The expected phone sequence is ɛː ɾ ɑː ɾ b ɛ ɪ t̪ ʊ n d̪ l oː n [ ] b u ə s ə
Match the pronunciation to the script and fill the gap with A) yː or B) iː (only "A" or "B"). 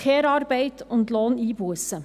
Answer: B